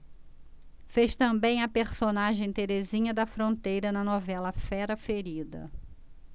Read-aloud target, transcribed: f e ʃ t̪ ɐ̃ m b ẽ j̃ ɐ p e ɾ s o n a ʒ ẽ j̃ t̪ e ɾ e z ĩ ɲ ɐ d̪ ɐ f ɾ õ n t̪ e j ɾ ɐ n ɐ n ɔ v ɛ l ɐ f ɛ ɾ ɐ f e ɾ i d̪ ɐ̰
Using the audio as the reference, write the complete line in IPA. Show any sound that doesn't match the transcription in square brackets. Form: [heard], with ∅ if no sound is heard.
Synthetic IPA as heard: f e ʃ t̪ ɐ̃ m b ẽ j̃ ɐ p e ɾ s o n a ʒ ẽ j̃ t̪ e ɾ e z ĩ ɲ ɐ d̪ ɐ f ɾ õ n t̪ e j ɾ ɐ n ɐ n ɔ v ɛ l ɐ f ɛ ɾ ɐ f e ɾ i d̪ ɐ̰